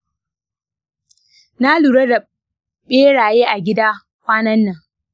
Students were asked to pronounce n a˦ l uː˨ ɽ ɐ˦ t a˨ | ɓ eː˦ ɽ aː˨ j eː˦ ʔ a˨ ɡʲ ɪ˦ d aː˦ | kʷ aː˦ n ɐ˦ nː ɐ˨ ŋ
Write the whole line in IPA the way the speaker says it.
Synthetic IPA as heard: n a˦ l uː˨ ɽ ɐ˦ d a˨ | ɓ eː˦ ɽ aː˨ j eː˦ ʔ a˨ ɡʲ ɪ˦ d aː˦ | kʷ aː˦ n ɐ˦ nː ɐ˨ ŋ